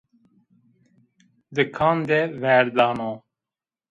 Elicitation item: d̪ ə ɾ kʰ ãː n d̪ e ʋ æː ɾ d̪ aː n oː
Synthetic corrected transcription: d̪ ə kʰ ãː n d̪ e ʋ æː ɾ d̪ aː n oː